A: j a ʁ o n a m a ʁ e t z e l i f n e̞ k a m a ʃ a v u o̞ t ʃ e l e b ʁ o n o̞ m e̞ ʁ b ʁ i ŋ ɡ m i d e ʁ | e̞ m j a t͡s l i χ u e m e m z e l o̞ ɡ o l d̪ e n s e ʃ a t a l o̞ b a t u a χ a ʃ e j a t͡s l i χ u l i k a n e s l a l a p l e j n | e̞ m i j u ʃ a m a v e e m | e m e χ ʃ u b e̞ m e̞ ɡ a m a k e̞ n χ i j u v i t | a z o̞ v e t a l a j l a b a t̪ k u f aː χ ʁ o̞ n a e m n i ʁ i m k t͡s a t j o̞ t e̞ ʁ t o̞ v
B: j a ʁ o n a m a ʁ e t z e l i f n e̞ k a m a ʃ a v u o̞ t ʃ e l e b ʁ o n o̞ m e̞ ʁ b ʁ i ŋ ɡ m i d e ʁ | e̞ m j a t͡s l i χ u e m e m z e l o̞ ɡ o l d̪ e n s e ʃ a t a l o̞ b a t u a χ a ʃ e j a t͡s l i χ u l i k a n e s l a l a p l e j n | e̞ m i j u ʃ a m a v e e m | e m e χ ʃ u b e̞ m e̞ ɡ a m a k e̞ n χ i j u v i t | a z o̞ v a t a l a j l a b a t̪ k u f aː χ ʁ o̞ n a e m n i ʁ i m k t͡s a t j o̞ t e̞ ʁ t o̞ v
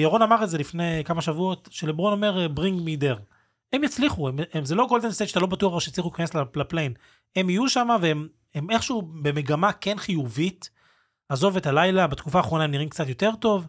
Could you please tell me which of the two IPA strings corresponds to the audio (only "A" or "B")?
A